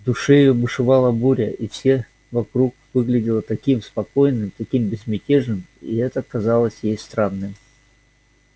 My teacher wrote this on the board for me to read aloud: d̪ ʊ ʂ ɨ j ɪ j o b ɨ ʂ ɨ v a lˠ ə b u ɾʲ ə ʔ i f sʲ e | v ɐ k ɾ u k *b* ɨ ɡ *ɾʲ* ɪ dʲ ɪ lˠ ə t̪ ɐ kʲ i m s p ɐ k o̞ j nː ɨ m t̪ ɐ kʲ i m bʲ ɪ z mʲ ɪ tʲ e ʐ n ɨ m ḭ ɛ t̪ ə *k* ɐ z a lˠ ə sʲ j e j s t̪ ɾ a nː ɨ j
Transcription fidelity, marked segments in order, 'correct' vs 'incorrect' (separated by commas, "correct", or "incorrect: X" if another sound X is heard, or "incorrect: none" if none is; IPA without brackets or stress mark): incorrect: v, incorrect: lʲ, correct